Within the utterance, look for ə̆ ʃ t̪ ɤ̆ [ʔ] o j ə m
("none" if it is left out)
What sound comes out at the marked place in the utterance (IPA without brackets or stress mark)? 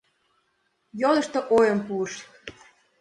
ʔ